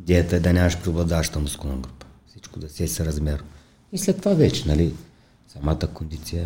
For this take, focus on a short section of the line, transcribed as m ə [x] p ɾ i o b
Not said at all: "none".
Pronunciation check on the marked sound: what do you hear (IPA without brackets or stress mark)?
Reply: ʃ